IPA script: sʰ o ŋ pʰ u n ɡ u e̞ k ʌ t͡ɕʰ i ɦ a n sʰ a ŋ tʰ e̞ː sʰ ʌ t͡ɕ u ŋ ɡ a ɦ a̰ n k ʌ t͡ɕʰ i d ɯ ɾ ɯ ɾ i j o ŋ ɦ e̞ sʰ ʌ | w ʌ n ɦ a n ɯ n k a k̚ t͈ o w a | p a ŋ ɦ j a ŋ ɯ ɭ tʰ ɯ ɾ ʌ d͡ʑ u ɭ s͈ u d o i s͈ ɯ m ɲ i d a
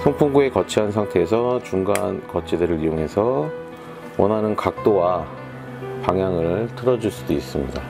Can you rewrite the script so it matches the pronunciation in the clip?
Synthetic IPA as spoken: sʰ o ŋ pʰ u ŋ ɡ u e̞ k ʌ t͡ɕʰ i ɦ a n sʰ a ŋ tʰ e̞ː sʰ ʌ t͡ɕ u ŋ ɡ a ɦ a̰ n k ʌ t͡ɕʰ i d ɯ ɾ ɯ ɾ i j o ŋ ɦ e̞ sʰ ʌ | w ʌ n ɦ a n ɯ n k a k̚ t͈ o w a | p a ŋ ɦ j a ŋ ɯ ɭ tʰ ɯ ɾ ʌ d͡ʑ u ɭ s͈ u d o i s͈ ɯ m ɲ i d a

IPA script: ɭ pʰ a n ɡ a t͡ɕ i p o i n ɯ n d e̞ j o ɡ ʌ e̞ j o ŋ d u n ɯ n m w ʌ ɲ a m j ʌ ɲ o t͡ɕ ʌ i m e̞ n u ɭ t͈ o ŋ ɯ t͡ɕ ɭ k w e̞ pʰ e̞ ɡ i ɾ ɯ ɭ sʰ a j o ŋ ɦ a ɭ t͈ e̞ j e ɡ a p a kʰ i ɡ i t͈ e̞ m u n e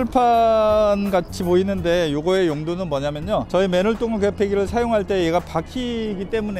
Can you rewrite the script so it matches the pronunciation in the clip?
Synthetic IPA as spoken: ɭ pʰ a n ɡ a t͡ɕʰ i p o i n ɯ n d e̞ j o ɡ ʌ e̞ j o ŋ d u n ɯ n m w ʌ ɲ a m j ʌ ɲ o t͡ɕ ʌ i m e̞ n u ɭ t͈ o ŋ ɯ ɭ k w e̞ pʰ e̞ ɡ i ɾ ɯ ɭ sʰ a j o ŋ ɦ a ɭ t͈ e̞ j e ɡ a p a kʰ i ɡ i t͈ e̞ m u n e

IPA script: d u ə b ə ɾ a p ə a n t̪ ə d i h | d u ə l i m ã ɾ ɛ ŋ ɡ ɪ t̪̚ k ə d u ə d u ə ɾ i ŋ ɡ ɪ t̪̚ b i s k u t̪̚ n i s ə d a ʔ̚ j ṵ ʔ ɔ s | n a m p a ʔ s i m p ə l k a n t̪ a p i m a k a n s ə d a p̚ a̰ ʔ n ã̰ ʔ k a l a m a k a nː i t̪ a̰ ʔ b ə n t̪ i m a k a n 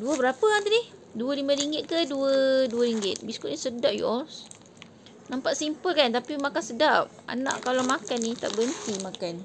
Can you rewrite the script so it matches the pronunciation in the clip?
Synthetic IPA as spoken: d u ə b ə ɾ a p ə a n t̪ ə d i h | d u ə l i m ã ɾ i ŋ ɡ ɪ t̪̚ k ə d u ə d u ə ɾ i ŋ ɡ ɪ t̪̚ b i s k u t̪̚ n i s ə d a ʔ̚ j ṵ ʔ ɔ s | n a m p a ʔ s i m p ə l k a n t̪ a p i m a k a n s ə d a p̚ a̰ n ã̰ ʔ k a l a m a k a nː i t̪ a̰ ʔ b ə n t̪ i m a k a n

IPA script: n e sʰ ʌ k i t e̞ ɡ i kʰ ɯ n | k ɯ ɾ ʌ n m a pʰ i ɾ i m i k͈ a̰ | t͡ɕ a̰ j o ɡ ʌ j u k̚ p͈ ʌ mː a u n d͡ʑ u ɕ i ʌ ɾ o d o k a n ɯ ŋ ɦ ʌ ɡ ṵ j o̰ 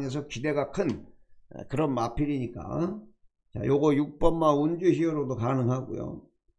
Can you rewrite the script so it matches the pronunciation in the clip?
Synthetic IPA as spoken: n e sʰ ʌ k i d e̞ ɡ a kʰ ɯ n | k ɯ ɾ ʌ n m a pʰ i ɾ i ɲ i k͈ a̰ | t͡ɕ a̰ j o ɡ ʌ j u k̚ p͈ ʌ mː a u n d͡ʑ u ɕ i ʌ ɾ o d o k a n ɯ ŋ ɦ a ɡ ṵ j o̰

